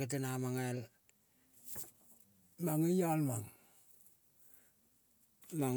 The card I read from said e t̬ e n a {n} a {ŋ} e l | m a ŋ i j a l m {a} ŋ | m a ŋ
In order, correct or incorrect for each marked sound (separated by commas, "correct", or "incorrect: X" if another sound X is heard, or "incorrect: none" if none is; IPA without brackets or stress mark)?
incorrect: m, correct, correct